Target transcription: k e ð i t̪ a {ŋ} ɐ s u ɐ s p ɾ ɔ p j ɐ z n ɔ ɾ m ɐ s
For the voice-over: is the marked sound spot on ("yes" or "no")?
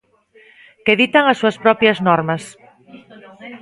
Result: yes